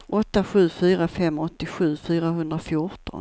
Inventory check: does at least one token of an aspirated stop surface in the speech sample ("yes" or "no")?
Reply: no